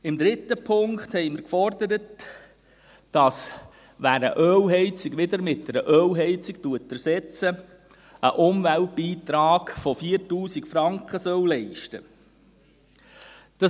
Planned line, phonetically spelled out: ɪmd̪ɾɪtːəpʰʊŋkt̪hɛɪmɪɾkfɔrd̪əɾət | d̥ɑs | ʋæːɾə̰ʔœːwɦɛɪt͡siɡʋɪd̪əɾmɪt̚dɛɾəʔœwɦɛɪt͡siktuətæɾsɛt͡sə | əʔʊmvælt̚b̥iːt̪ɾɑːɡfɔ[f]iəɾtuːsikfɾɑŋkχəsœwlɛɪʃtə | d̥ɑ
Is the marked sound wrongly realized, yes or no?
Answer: no